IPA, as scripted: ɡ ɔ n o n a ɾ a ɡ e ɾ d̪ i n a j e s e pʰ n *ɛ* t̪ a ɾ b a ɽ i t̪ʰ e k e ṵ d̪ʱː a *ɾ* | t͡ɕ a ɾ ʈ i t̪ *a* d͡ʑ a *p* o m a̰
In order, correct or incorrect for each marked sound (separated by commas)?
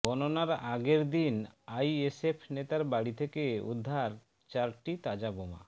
incorrect, correct, correct, incorrect